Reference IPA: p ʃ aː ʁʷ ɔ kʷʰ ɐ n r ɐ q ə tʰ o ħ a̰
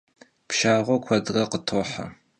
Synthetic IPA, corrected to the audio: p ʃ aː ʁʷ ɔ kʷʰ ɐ d r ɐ q ə tʰ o ħ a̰